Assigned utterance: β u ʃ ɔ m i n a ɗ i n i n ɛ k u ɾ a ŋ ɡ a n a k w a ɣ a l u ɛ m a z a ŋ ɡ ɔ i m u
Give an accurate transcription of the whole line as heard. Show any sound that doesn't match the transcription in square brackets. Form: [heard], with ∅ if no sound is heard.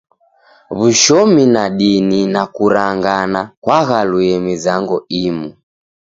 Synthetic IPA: β u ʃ ɔ m i n a ɗ i n i n [a] k u ɾ a ŋ ɡ a n a k w a ɣ a l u ɛ m [i] z a ŋ ɡ ɔ i m u